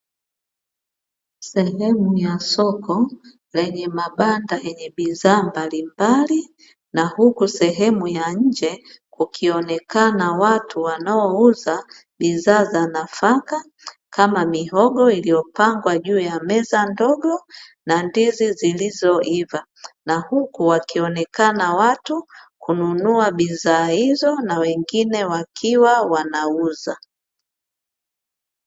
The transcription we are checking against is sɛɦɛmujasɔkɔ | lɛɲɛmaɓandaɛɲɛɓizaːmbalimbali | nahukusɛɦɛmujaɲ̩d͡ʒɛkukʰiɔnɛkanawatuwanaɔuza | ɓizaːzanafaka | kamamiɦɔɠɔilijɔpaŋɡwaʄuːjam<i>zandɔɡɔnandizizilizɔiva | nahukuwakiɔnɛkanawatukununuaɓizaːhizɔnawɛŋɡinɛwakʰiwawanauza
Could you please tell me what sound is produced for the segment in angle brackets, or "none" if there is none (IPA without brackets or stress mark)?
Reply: ɛ